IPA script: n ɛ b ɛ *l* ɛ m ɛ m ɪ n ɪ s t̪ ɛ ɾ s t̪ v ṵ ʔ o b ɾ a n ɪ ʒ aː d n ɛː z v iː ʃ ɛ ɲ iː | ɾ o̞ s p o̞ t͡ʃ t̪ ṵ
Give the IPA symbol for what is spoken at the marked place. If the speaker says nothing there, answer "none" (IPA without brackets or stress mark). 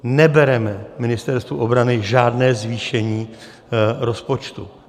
ɾ